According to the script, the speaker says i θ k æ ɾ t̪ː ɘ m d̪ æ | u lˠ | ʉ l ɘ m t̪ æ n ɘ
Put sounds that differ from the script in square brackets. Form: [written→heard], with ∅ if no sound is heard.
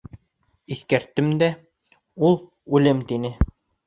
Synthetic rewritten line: i θ k æ ɾ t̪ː ɘ m d̪ æ | u lˠ | ʉ l ɘ m t̪ [æ→i] n ɘ